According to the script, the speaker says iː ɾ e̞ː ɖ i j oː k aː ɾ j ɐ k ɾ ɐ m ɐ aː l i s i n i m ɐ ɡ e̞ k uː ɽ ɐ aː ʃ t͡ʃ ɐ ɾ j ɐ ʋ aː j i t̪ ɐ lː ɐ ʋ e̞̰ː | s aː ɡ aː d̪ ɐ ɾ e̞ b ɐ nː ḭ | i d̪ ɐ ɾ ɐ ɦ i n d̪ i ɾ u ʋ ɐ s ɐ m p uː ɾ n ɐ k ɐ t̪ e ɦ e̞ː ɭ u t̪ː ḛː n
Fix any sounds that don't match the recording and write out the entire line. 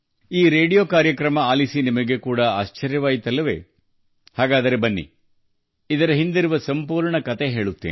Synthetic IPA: iː ɾ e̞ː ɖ i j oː k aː ɾ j ɐ k ɾ ɐ m ɐ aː l i s i n i m ɐ ɡ e̞ k uː ɽ ɐ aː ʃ t͡ʃ ɐ ɾ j ɐ ʋ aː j i t̪ ɐ lː ɐ ʋ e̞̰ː | h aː ɡ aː d̪ ɐ ɾ e̞ b ɐ nː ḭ | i d̪ ɐ ɾ ɐ ɦ i n d̪ i ɾ u ʋ ɐ s ɐ m p uː ɾ ɳ ɐ k ɐ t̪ e ɦ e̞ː ɭ u t̪ː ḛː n

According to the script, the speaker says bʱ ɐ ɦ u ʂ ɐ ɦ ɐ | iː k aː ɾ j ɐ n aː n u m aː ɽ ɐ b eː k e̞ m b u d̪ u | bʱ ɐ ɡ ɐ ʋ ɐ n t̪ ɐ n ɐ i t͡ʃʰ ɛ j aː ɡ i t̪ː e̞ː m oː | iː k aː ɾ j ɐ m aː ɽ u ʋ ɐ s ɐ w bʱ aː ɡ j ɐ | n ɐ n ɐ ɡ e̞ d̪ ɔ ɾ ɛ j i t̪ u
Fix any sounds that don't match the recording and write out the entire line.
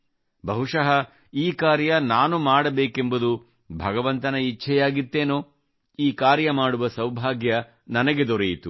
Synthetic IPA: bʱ ɐ ɦ u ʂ ɐ ɦ ɐ | iː k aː ɾ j ɐ n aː n u m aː ɽ ɐ b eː k e̞ m b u d̪ u | bʱ ɐ ɡ ɐ ʋ ɐ n t̪ ɐ n ɐ i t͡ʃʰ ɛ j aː ɡ i t̪ː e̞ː n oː | iː k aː ɾ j ɐ m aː ɽ u ʋ ɐ s ɐ w bʱ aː ɡ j ɐ | n ɐ n ɐ ɡ e̞ d̪ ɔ ɾ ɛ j i t̪ u

